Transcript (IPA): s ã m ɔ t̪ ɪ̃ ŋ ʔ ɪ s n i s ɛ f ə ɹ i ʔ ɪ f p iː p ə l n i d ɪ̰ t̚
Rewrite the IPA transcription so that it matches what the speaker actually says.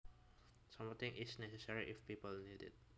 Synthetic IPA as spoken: s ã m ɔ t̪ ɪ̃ ŋ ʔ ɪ s n ɛ s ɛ s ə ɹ i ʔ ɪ f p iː p ə l n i d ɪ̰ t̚